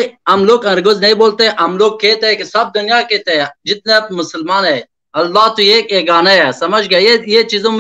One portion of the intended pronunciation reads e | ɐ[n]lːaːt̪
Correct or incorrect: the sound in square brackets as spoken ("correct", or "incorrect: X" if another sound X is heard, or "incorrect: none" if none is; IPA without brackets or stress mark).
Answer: incorrect: none